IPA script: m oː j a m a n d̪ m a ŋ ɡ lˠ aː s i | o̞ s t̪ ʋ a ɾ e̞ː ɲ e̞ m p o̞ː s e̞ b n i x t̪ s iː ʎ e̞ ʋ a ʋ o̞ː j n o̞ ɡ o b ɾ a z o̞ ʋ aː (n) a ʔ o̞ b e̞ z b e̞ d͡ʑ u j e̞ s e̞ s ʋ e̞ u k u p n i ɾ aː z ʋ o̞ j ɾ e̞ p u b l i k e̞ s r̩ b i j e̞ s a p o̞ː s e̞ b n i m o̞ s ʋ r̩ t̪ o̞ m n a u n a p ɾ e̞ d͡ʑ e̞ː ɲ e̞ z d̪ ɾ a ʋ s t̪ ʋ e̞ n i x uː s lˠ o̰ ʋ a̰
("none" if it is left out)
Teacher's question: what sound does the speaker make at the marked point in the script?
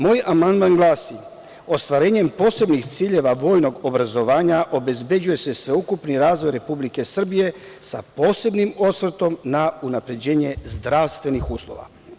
ɲ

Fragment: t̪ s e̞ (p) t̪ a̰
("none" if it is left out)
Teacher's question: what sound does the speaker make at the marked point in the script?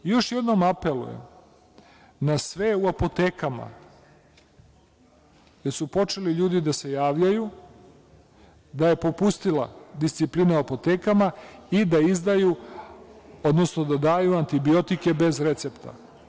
p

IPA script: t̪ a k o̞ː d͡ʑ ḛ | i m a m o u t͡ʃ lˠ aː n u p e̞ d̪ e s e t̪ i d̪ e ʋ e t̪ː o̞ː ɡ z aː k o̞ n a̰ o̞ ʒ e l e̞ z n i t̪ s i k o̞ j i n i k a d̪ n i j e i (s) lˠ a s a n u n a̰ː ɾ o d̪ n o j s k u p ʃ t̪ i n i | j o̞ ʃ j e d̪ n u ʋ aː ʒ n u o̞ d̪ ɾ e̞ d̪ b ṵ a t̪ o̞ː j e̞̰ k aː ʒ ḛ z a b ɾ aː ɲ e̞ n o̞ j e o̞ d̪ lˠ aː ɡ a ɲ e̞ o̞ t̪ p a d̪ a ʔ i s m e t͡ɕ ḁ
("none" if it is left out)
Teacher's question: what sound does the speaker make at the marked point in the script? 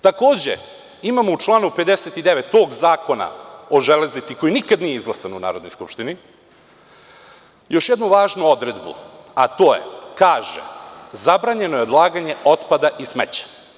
z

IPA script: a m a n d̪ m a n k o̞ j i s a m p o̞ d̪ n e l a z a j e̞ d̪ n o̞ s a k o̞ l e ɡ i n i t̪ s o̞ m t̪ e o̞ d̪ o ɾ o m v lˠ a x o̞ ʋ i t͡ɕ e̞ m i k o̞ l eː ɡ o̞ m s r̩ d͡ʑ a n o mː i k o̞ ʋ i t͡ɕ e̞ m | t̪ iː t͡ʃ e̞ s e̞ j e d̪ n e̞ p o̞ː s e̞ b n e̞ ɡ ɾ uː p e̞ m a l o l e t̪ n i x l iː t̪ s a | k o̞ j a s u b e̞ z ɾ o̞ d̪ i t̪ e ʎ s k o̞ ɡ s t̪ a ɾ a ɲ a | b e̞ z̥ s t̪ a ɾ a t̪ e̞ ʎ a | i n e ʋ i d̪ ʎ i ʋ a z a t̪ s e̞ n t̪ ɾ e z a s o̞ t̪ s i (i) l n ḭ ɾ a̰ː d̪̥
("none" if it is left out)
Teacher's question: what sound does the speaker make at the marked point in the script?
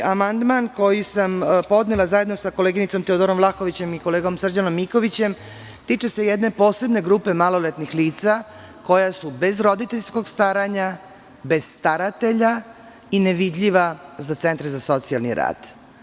a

